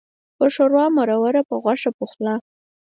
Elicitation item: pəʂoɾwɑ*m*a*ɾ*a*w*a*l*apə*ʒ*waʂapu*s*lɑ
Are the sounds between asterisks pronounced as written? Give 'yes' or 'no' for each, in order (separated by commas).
yes, yes, yes, no, no, no